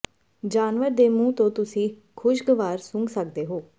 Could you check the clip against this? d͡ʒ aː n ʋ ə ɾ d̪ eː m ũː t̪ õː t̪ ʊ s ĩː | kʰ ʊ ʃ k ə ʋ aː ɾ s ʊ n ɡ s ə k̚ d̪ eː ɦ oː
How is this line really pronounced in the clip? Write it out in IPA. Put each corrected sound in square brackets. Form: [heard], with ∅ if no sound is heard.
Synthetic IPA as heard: d͡ʒ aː n ʋ ə ɾ d̪ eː m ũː t̪ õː t̪ ʊ s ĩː | kʰ ʊ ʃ [ɡ] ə ʋ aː ɾ s ʊ [ŋ] ɡ s ə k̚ d̪ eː ɦ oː